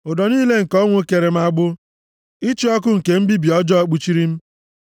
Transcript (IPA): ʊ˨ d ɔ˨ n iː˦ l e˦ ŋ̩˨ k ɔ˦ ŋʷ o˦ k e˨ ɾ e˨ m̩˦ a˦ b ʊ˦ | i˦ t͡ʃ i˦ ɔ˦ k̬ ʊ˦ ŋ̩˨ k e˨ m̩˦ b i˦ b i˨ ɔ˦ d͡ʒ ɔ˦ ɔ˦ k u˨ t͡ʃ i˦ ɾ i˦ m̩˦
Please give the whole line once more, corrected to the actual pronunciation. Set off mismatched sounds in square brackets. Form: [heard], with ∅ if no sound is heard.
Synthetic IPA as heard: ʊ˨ d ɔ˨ n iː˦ l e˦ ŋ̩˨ k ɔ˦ ŋʷ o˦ k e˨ ɾ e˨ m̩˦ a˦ [ɡ͡b] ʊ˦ | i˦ t͡ʃ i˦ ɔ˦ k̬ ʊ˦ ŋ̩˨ k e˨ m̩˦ b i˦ b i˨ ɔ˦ d͡ʒ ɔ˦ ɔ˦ [k͡p] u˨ t͡ʃ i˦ ɾ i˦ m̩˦